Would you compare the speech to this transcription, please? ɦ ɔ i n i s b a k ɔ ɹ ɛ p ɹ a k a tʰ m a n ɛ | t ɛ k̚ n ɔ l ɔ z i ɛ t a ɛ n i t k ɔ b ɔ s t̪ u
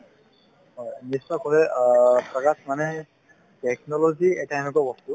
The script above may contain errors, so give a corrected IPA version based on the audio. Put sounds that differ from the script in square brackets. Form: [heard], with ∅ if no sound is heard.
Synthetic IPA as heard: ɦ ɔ [j] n i s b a k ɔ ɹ ɛ p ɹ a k a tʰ m a n ɛ | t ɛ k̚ n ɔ l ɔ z i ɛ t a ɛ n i [∅] k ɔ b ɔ s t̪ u